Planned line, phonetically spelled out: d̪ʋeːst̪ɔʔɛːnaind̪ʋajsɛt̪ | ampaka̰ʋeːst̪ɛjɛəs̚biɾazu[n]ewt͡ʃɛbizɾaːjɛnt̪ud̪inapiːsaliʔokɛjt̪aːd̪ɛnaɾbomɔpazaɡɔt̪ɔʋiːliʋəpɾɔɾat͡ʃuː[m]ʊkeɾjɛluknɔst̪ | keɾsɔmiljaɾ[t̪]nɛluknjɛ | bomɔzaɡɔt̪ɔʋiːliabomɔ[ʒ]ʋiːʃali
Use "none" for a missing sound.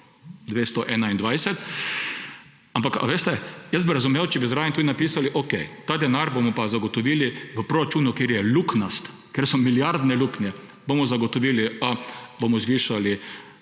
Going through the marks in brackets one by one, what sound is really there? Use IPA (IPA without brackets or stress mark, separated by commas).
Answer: m, n, d̪, z